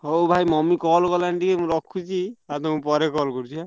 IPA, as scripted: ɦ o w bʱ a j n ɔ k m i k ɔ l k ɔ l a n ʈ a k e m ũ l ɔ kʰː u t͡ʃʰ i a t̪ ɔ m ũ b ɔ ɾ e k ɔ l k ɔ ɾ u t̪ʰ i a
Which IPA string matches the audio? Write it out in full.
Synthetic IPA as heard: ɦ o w bʱ a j m ɔ m i k ɔ l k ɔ l a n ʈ i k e m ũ ɾ ɔ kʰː u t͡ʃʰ i a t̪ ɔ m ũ p ɔ ɾ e k ɔ l k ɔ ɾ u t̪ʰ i a